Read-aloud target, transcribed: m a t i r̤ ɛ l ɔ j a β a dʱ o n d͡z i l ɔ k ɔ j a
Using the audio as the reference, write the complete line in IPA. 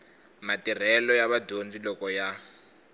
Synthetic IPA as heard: m a t i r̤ ɛ l ɔ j a β a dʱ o n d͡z i l ɔ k ɔ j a